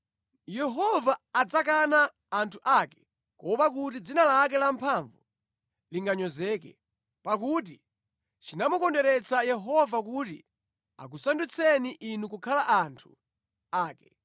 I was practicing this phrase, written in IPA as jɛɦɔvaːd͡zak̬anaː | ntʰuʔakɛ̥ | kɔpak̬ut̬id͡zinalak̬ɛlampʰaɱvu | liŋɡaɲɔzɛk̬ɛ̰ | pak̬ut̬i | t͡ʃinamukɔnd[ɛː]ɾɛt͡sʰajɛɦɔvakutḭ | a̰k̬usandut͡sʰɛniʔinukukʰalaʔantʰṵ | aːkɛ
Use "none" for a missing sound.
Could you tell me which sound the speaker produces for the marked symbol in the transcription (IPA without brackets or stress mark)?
ɛ